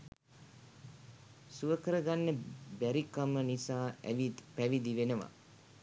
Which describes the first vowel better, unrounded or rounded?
rounded